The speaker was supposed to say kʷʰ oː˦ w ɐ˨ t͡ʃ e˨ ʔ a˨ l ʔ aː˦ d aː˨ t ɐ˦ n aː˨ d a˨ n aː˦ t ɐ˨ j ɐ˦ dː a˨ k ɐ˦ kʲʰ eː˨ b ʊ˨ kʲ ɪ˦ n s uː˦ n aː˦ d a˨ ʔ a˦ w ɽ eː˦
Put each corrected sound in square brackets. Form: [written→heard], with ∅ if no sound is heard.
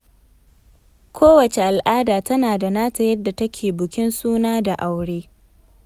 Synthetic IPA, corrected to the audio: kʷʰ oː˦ w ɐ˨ t͡ʃ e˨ ʔ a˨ l ʔ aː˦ d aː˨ t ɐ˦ n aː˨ d a˨ n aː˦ t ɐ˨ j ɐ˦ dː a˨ [k→t] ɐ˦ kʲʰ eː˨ b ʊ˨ kʲ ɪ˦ n s uː˦ n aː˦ d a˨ ʔ [a˦→a˨] w ɽ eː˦